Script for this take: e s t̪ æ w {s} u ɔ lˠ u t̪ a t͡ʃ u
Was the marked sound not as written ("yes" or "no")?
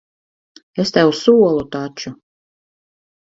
no